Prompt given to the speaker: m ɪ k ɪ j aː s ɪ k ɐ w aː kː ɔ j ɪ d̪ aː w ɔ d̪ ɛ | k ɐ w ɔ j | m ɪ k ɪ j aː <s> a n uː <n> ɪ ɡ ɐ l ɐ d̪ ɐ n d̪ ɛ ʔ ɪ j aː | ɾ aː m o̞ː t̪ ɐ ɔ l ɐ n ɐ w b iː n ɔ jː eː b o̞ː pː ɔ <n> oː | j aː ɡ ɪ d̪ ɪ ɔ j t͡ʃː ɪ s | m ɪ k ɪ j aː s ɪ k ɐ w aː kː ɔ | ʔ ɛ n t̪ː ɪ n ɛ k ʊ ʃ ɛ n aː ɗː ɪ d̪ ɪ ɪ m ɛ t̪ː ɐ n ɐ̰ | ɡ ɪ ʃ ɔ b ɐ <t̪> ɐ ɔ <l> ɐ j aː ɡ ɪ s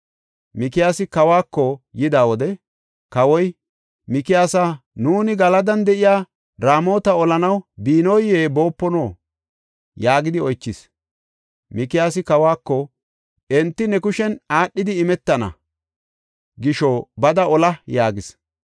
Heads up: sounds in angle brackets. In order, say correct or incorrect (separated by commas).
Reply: correct, correct, correct, incorrect, correct